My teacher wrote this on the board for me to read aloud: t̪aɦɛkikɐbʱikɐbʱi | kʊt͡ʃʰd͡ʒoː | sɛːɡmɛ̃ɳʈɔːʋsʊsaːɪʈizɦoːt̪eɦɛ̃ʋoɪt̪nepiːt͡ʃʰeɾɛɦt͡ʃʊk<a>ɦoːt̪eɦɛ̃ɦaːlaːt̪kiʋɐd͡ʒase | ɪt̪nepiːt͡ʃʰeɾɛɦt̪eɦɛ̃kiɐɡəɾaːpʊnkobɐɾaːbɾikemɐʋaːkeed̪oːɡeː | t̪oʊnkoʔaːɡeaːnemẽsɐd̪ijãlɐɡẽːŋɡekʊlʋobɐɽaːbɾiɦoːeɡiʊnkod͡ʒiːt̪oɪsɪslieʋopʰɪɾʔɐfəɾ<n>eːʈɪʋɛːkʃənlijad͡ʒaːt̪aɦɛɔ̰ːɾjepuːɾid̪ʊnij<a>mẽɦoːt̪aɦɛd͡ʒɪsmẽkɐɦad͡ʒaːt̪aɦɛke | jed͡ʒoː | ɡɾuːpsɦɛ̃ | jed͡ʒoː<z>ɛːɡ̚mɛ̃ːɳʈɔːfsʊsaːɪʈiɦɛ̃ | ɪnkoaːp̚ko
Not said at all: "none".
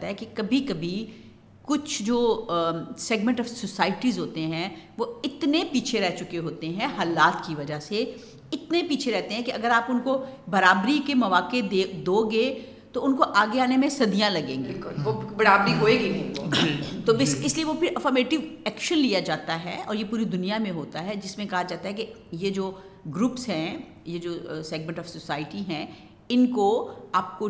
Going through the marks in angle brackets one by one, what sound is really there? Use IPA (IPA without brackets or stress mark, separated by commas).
e, m, a, s